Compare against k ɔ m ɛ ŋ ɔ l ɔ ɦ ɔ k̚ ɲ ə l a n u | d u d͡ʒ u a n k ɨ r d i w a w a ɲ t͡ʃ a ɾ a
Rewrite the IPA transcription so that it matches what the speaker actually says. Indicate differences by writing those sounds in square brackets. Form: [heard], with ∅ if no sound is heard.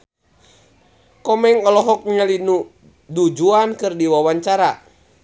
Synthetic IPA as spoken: k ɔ m ɛ ŋ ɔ l ɔ ɦ ɔ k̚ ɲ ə l [i] n u | d u d͡ʒ u a n k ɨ r d i w a w a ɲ t͡ʃ a ɾ a